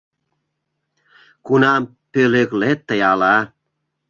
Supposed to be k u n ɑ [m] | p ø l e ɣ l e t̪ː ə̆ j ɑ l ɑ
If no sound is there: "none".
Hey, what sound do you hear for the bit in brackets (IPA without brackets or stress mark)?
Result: m